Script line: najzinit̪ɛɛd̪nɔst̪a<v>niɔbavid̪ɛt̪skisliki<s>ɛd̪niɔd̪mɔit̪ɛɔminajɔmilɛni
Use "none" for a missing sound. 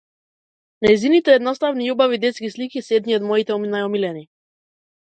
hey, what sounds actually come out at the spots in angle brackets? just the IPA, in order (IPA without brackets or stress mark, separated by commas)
v, s